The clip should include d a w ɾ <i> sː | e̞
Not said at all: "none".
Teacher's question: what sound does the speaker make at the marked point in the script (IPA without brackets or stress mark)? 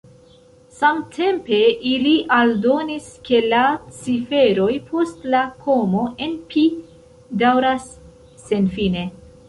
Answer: a